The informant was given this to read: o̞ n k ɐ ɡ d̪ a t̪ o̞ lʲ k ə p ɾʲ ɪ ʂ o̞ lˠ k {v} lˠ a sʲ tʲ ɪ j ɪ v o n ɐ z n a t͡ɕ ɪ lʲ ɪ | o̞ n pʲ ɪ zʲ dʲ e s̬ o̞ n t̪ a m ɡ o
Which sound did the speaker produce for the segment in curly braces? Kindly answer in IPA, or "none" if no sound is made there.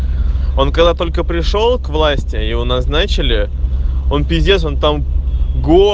v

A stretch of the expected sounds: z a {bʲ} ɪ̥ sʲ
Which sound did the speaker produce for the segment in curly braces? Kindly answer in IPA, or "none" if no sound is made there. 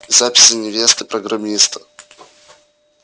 pʲ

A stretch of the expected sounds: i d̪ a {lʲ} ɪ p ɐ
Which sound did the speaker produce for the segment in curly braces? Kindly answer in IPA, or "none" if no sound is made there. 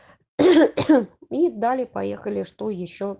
lʲ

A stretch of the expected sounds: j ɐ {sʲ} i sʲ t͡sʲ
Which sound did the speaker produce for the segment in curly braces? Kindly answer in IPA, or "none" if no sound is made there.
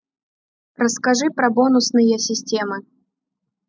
sʲ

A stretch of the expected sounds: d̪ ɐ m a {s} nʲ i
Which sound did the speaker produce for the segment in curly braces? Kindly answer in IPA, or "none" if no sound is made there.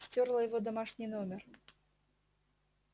ʂ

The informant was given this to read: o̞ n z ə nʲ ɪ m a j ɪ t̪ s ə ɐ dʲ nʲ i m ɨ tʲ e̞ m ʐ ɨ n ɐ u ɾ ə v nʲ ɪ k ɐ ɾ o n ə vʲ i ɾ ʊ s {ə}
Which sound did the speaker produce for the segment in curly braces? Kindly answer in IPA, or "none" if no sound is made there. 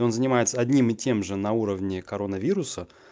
ə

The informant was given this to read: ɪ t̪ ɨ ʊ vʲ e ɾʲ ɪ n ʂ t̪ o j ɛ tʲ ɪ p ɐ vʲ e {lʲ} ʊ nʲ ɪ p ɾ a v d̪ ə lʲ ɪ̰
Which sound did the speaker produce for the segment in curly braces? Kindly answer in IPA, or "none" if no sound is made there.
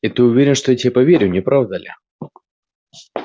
ɾʲ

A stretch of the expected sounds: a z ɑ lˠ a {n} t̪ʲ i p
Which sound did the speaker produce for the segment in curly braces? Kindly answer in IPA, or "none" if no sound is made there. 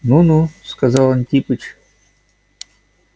n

